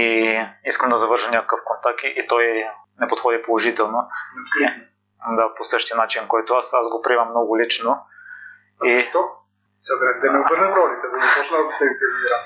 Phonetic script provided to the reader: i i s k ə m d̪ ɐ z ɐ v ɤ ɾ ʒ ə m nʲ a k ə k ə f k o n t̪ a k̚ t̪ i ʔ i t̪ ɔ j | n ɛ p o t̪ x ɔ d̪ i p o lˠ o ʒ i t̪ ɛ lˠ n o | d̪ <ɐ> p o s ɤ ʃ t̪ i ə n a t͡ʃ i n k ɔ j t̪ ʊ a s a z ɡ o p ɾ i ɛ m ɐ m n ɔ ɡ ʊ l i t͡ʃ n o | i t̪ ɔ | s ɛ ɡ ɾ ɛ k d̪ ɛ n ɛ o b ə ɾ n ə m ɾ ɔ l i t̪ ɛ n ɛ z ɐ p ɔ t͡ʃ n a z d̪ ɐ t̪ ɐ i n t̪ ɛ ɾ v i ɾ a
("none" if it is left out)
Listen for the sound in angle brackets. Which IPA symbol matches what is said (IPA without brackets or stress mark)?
a